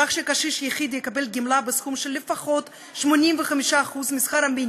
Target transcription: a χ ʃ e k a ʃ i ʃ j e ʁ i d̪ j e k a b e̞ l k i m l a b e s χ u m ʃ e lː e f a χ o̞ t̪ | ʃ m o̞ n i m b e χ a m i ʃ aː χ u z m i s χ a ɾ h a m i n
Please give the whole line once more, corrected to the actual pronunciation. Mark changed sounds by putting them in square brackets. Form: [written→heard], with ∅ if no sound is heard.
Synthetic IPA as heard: a χ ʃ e k a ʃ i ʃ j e [ʁ→χ] i d̪ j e k a b e̞ l [k→ɡ] i m l a b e s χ u m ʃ e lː e f a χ o̞ t̪ | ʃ m o̞ n i m [b→v] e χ a m i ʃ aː χ u z m i s χ a ɾ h a m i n